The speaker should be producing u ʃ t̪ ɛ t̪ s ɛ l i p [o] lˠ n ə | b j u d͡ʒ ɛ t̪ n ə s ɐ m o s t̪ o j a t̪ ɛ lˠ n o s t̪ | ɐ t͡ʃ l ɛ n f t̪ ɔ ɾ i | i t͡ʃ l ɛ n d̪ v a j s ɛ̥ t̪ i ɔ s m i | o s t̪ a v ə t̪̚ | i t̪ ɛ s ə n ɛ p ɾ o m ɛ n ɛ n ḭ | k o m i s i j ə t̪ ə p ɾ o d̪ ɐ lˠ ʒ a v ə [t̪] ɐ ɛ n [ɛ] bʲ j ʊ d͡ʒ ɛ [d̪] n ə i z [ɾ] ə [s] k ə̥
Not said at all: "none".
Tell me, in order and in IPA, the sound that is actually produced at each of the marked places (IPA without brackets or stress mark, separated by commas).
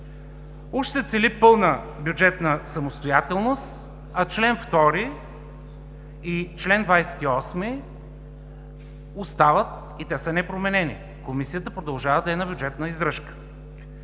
ɤ, d̪, a, t̪, ɾ, ʃ